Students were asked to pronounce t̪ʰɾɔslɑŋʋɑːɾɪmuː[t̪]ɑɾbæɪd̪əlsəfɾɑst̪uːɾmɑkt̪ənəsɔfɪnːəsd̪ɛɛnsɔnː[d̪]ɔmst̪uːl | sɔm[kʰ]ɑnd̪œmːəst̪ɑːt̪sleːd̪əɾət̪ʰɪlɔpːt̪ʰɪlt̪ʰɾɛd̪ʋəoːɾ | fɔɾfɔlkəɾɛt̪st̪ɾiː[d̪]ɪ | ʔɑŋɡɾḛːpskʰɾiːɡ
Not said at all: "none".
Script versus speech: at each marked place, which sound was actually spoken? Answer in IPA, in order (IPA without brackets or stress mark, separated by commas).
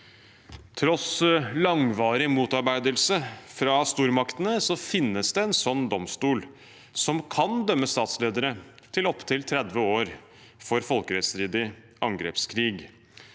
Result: t̪, d̪, kʰ, d̪